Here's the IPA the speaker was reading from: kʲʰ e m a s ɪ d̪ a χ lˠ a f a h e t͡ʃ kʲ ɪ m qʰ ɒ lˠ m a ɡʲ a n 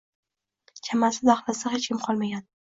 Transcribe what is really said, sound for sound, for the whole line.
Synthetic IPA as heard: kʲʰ a m a s ɪ d̪ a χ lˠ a s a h e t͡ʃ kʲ ɪ m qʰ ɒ lˠ m a ɡʲ a n